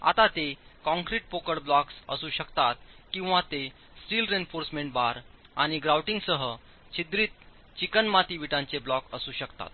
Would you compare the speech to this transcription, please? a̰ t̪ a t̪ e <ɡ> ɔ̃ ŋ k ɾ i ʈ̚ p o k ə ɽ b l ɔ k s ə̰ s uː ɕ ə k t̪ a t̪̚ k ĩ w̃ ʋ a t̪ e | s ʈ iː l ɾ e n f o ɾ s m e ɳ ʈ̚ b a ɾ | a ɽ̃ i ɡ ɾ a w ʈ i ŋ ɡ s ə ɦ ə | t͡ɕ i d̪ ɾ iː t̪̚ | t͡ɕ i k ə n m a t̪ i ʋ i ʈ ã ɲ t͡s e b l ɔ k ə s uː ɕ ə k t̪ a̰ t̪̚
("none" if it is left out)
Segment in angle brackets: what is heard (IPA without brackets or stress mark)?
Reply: k